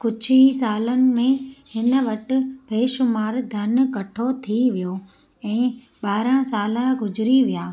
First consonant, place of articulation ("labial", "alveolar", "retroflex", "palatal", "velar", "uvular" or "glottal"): velar